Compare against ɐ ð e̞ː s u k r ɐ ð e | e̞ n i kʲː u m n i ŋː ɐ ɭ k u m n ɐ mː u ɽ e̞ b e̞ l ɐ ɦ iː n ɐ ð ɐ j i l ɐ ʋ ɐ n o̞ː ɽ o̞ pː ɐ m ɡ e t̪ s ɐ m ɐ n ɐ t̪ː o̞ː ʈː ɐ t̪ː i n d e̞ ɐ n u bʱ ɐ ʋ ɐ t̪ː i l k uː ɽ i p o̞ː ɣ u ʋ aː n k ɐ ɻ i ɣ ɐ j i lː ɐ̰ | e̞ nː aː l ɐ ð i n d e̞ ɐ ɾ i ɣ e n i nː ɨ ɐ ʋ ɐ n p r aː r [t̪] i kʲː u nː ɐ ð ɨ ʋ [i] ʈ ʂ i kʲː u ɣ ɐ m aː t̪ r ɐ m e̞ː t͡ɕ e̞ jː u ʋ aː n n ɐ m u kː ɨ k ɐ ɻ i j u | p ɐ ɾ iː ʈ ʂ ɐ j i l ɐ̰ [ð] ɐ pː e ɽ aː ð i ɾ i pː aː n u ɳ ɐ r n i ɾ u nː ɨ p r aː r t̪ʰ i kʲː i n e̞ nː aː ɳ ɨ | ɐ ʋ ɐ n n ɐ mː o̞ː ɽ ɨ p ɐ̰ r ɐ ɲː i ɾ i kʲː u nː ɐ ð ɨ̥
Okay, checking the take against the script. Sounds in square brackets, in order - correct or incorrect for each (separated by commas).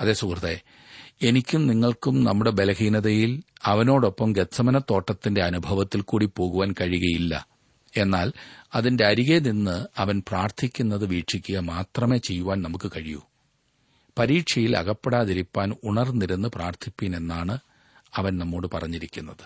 incorrect, incorrect, incorrect